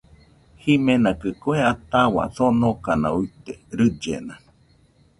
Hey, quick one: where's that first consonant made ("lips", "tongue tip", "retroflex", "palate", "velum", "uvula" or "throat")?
throat